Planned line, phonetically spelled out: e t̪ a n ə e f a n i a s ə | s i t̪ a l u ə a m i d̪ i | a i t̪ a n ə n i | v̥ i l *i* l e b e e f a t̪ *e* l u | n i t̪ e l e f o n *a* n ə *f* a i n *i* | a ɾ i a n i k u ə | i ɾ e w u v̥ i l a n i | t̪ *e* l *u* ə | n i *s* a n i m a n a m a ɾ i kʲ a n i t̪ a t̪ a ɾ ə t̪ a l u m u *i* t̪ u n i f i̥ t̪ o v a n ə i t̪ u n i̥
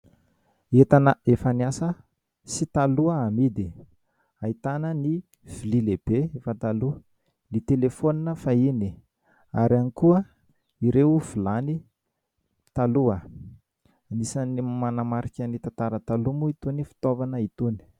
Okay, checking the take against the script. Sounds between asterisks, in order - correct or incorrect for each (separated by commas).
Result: correct, incorrect, incorrect, correct, correct, incorrect, correct, correct, correct